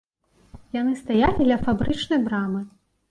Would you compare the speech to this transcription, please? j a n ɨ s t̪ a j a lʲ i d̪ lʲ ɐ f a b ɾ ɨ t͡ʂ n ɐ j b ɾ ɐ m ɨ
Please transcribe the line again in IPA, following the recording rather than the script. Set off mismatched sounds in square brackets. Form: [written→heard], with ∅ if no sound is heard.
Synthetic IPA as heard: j a n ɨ s t̪ a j a lʲ i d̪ lʲ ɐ f a b ɾ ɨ t͡ʂ n ɐ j b ɾ [ɐ→a] m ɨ